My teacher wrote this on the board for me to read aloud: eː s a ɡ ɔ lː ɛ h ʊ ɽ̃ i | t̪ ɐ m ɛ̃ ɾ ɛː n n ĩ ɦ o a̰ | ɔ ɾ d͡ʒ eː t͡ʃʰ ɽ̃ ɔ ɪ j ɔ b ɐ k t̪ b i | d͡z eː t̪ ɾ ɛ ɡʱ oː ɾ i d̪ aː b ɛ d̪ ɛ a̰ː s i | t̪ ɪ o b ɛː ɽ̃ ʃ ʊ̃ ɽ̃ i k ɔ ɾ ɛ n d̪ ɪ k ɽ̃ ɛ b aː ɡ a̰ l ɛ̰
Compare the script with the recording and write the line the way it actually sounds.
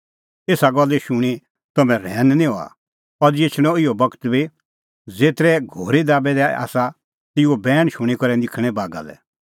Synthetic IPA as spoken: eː s a ɡ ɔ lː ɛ ʃ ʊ ɽ̃ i | t̪ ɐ m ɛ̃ ɾ ɛː n n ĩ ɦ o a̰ | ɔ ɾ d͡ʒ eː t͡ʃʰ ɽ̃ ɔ ɪ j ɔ b ɐ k t̪ b i | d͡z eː t̪ ɾ ɛ ɡʱ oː ɾ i d̪ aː b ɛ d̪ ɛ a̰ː s a | t̪ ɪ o b ɛː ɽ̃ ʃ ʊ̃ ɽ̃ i k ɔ ɾ ɛ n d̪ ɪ kʰ ɽ̃ ɛ b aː ɡ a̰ l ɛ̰

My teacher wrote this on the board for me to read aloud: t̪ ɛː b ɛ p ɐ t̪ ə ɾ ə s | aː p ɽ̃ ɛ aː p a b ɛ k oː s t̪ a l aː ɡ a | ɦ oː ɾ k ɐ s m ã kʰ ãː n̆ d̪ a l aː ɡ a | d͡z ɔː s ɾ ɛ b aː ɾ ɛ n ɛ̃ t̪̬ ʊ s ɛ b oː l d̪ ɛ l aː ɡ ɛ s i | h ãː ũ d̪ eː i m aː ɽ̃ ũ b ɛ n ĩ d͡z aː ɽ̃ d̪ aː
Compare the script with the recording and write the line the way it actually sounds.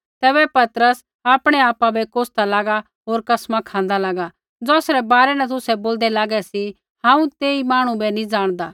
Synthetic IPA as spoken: t̪ ɛː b ɛ p ɐ t̪ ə ɾ ə s | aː p ɽ̃ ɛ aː p a b ɛ k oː s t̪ a l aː ɡ a | ɦ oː ɾ k ɐ s m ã kʰ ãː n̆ d̪ a l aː ɡ a | d͡z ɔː s ɾ ɛ b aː ɾ ɛ n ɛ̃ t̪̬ ʊ s ɛ b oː l d̪ ɛ l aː ɡ ɛ s i | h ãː ũ t̪ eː i m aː ɽ̃ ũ b ɛ n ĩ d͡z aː ɽ̃ d̪ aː

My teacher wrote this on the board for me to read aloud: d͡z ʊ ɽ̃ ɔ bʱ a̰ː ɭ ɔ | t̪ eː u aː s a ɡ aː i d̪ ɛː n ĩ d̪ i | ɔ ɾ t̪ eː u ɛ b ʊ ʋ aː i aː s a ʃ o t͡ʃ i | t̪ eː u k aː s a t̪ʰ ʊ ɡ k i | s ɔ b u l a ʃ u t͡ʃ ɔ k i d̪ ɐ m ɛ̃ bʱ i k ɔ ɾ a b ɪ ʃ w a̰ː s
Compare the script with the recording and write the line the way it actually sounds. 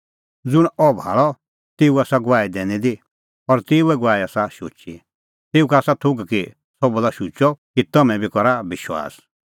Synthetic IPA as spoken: d͡z ʊ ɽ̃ ɔ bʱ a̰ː ɭ ɔ | t̪ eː u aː s a ɡ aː i d̪ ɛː n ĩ d̪ i | ɔ ɾ t̪ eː u ɛ ɡ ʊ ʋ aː i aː s a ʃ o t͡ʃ i | t̪ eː u k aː s a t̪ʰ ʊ ɡ k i | s ɔ b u l a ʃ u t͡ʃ ɔ k i t̪ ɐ m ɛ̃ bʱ i k ɔ ɾ a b ɪ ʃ w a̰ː s

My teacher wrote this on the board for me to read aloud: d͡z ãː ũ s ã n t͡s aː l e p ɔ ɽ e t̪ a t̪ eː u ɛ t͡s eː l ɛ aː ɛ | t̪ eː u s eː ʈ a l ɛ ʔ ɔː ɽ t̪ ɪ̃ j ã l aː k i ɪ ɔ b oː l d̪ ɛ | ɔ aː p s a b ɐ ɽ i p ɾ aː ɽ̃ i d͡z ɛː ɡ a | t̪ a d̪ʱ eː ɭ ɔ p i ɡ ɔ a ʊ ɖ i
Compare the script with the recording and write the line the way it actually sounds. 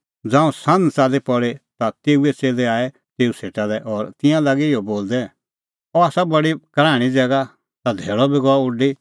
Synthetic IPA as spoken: d͡z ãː ũ s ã n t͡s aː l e p ɔ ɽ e t̪ a t̪ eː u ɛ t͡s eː l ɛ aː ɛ | t̪ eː u s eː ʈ a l ɛ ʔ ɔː ɾ t̪ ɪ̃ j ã l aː ɡ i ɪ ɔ b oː l d̪ ɛ | ɔ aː s a b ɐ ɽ i k ɾ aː ɽ̃ i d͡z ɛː ɡ a | t̪ a d̪ʱ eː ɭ ɔ b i ɡ ɔ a ʊ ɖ i

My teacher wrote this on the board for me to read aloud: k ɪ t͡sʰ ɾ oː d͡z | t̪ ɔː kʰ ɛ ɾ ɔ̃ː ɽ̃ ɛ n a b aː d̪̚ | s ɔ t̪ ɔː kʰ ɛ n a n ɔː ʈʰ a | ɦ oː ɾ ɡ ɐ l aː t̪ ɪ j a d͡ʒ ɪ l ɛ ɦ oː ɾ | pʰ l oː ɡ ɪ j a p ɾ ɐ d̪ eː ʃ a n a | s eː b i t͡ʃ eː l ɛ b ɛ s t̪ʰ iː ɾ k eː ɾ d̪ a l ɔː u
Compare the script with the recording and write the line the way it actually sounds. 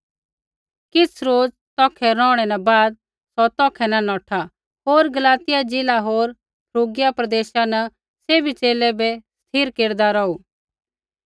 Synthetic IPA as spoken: k ɪ t͡sʰ ɾ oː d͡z | t̪ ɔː kʰ ɛ ɾ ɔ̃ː ɽ̃ ɛ n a b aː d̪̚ | s ɔ t̪ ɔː kʰ ɛ n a n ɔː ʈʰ a | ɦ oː ɾ ɡ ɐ l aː t̪ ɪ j a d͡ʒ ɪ l a ɦ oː ɾ | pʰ ɾ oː ɡ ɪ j a p ɾ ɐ d̪ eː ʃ a n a | s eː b i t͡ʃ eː l ɛ b ɛ s t̪ʰ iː ɾ k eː ɾ d̪ a ɾ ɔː u

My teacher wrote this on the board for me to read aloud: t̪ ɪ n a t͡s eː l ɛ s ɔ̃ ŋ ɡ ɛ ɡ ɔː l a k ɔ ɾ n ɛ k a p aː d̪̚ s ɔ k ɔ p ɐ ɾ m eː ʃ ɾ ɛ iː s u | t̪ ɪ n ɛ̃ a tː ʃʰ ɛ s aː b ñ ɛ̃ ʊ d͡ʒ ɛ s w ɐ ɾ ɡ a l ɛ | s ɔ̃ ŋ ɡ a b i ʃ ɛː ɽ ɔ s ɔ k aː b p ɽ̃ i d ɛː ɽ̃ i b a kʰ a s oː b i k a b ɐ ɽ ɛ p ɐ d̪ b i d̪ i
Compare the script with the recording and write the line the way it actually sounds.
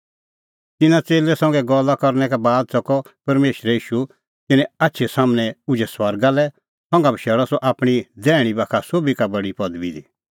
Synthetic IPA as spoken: t̪ ɪ n a t͡s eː l ɛ s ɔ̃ ŋ ɡ ɛ ɡ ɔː l a k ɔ ɾ n ɛ k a b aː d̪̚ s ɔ k ɔ p ɐ ɾ m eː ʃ ɾ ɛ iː ʃ u | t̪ ɪ n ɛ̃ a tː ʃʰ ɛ s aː m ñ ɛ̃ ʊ d͡ʒ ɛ s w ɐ ɾ ɡ a l ɛ | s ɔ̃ ŋ ɡ a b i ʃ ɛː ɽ ɔ s ɔ ʔ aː p ɽ̃ i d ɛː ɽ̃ i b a kʰ a s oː b i k a b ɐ ɽ i p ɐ d̪ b i d̪ i

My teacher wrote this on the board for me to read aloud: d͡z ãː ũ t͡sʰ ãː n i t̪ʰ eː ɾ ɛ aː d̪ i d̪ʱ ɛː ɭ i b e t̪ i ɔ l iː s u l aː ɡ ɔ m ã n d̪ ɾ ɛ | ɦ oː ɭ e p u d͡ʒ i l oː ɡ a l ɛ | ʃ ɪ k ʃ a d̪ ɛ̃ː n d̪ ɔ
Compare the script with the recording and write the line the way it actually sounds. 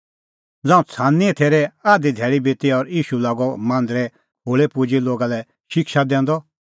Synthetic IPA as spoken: d͡z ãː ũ t͡sʰ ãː n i t̪ʰ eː ɾ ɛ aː d̪ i d̪ʱ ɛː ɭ i b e t̪ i ɔ ɾ iː ʃ u l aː ɡ ɔ m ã n d̪ ɾ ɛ | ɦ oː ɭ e p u d͡ʒ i l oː ɡ a l ɛ | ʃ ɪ k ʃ a d̪ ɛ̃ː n d̪ ɔ

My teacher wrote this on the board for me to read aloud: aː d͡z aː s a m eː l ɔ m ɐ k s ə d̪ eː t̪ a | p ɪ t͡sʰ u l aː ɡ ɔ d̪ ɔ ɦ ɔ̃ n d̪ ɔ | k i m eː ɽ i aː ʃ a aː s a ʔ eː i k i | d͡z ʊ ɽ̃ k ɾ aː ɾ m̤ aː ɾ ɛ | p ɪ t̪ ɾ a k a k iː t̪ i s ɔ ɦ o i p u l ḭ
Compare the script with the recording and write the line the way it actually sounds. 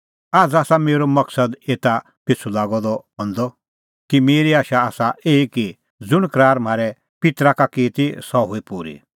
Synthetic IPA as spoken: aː d͡z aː s a m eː ɾ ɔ m ɐ k s ə d̪ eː t̪ a | p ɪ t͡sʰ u l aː ɡ ɔ d̪ ɔ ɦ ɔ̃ n d̪ ɔ | k i m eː ɾ i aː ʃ a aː s a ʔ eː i k i | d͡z ʊ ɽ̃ k ɾ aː ɾ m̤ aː ɾ ɛ | p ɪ t̪ ɾ a k a k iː t̪ i s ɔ ɦ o i p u ɾ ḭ

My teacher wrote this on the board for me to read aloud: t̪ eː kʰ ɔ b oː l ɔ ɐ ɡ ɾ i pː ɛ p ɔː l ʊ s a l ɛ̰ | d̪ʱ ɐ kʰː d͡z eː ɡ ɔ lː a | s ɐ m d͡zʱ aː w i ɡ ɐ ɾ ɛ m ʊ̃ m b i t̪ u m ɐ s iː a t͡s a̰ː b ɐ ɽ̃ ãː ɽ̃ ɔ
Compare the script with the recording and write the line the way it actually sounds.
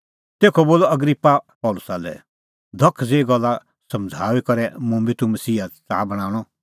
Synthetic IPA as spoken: t̪ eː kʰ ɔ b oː l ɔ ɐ ɡ ɾ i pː a p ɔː l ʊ s a l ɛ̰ | d̪ʱ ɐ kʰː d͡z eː ɡ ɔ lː a | s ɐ m d͡zʱ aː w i k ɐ ɾ ɛ m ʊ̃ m b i t̪ u m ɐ s iː a t͡s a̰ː b ɐ ɽ̃ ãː ɽ̃ ɔ

